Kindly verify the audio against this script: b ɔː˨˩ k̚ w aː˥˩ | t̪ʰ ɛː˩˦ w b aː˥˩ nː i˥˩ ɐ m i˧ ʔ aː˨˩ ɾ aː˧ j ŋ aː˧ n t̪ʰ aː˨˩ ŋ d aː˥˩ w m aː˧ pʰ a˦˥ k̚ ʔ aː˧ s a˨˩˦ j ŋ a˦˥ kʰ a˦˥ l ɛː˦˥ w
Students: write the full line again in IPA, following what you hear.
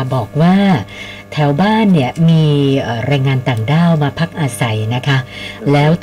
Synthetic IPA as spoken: b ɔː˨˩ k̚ w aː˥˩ | t̪ʰ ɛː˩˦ w b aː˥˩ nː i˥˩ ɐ m iː˧ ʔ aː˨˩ ɾ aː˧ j ŋ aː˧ n t̪ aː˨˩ ŋ d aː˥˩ w m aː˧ pʰ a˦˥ k̚ ʔ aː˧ s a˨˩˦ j n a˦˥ kʰ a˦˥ l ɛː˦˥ w